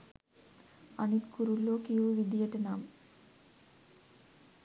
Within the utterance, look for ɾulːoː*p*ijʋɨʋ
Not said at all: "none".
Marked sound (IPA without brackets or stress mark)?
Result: k